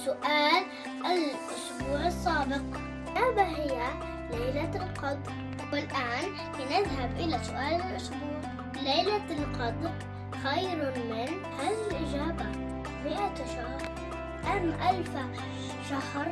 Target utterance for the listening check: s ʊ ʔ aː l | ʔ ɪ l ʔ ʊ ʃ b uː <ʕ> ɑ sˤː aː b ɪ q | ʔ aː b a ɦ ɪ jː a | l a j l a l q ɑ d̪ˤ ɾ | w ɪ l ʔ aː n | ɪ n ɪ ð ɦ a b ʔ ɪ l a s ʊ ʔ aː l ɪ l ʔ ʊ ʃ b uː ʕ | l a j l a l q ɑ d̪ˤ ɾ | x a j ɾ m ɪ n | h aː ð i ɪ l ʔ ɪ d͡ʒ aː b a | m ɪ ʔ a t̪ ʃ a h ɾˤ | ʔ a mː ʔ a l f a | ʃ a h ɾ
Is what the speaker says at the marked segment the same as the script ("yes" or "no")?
yes